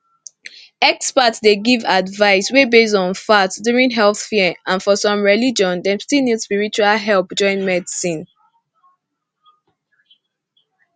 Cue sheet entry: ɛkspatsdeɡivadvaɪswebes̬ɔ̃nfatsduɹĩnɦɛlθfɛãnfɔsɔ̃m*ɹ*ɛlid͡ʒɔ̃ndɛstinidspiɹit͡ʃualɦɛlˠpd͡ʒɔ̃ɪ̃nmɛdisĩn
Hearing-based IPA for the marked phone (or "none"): ɹ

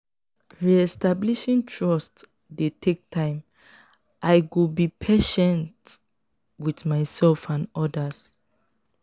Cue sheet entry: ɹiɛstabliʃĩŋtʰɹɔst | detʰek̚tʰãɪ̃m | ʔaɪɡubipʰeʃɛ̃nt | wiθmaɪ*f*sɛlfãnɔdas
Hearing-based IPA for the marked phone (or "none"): none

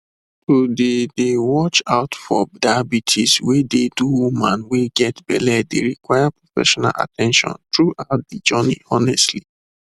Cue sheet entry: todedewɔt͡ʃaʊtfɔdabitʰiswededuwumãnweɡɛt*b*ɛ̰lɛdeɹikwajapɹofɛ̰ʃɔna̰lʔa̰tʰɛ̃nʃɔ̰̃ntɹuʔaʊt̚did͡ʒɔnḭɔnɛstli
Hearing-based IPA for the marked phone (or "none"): b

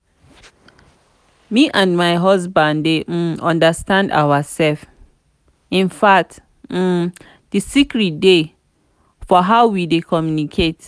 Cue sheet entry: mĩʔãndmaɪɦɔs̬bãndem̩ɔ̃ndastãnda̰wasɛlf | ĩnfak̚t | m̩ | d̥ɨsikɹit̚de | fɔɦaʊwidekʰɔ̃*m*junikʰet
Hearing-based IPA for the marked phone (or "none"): m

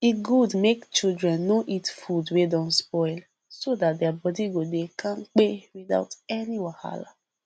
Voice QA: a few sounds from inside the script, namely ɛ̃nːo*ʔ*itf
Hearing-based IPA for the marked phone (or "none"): ʔ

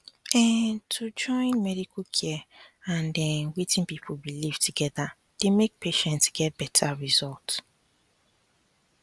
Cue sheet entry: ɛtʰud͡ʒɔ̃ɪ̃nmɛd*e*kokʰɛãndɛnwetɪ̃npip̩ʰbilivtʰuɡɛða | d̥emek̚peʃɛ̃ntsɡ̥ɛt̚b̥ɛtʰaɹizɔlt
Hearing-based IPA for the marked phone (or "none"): i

